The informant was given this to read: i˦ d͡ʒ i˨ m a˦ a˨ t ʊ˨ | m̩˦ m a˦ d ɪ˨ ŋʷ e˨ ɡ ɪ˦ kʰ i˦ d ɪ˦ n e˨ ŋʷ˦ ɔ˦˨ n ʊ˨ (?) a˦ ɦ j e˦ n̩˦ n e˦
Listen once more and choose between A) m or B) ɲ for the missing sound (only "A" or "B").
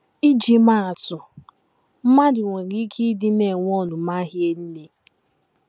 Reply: A